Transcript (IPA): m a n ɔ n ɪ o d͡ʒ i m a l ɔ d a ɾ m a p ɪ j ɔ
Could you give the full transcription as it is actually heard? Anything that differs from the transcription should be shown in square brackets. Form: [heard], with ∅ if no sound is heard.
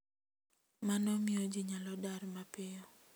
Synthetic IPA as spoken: m a n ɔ [m] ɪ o d͡ʒ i [ɲ] a l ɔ d a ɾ m a p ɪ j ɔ